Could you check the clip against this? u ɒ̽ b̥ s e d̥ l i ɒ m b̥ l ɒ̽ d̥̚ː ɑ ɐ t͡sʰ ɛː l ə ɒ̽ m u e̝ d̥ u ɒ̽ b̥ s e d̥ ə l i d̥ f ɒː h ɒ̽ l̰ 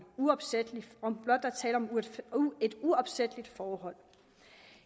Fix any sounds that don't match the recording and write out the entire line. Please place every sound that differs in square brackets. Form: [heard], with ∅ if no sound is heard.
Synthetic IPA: u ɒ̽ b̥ s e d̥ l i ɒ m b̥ l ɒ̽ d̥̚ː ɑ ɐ t͡sʰ ɛː l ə ɒ̽ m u e̝ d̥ u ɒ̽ b̥ s e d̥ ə l i d̥ f ɒː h ɒ̽ l̰

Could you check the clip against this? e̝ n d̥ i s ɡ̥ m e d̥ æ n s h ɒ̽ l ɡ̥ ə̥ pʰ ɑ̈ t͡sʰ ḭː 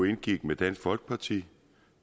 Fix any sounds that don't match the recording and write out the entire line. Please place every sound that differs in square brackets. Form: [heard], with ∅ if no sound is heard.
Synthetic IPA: e̝ n [ɡ̥] i [∅] ɡ̥ m e d̥ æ n s [f] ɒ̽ l ɡ̥ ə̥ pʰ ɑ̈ t͡sʰ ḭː

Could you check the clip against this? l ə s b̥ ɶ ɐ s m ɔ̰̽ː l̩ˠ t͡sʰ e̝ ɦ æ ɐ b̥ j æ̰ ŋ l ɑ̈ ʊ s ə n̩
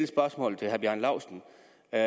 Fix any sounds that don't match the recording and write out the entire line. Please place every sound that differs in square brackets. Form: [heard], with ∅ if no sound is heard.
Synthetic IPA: l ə s b̥ ɶ ɐ s m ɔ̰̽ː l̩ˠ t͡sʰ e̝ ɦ æ ɐ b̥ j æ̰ [n] l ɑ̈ ʊ s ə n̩

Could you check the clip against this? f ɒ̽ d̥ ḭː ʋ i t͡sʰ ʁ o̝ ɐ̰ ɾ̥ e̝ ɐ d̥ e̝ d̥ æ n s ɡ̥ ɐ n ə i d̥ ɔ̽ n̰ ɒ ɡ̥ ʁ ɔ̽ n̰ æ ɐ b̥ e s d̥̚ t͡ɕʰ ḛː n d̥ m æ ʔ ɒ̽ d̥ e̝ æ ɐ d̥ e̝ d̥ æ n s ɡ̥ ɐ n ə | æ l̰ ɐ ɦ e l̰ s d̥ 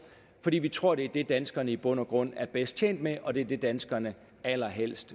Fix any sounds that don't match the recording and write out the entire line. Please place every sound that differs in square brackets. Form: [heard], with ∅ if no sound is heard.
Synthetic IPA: f ɒ̽ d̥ ḭː ʋ i t͡sʰ ʁ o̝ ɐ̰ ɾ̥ e̝ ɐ d̥ e̝ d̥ æ n s ɡ̥ ɐ n ə i [b̥] ɔ̽ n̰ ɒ ɡ̥ ʁ ɔ̽ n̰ æ ɐ b̥ e s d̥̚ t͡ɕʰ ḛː n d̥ m [e] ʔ ɒ̽ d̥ e̝ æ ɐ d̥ e̝ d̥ æ n s ɡ̥ ɐ n ə | æ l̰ ɐ ɦ e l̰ s d̥

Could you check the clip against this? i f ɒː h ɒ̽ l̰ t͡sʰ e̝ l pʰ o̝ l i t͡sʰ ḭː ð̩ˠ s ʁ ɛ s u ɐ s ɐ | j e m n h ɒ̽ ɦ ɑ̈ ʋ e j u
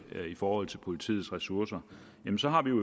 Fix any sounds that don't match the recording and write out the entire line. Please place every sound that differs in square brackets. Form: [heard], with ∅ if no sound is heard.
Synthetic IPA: i f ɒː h ɒ̽ l̰ t͡sʰ e̝ l pʰ o̝ l i t͡sʰ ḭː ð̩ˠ s ʁ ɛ s u ɐ s ɐ | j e m n [s] ɒ̽ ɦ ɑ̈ ʋ [i] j [o]

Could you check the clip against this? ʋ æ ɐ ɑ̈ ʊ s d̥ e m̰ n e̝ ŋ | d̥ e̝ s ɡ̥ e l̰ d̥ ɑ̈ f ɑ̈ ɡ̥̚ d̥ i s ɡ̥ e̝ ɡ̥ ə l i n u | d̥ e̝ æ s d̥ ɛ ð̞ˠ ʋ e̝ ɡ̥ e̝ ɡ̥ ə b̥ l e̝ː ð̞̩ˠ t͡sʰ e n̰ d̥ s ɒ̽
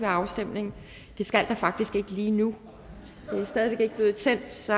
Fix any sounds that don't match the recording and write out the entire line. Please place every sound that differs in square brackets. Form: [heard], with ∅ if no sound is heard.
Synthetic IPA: ʋ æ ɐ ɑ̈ ʊ s d̥ e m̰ n e̝ ŋ | d̥ e̝ s ɡ̥ [æ] l̰ d̥ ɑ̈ f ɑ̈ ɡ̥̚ d̥ i s ɡ̥ e̝ ɡ̥ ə l [iː] n u | d̥ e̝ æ s d̥ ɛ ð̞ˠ ʋ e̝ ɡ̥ e̝ ɡ̥ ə b̥ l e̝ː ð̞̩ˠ t͡sʰ e n̰ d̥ s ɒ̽

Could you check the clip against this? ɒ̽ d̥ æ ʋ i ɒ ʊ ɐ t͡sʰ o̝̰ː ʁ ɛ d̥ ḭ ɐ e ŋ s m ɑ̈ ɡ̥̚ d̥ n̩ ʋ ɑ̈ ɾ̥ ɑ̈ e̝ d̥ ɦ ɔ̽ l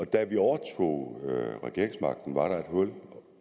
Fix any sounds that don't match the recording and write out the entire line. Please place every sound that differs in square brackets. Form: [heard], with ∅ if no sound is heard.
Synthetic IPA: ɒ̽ d̥ æ ʋ i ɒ ʊ ɐ t͡sʰ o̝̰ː ʁ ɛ [ɡ̥] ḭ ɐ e ŋ s m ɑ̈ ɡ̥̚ d̥ n̩ ʋ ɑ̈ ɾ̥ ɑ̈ e̝ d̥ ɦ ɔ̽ l

